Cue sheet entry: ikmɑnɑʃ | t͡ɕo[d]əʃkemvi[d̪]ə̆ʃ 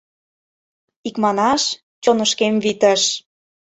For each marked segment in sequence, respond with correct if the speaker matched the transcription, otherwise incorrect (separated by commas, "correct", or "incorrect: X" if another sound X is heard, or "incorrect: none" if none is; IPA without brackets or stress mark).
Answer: incorrect: n, incorrect: t̪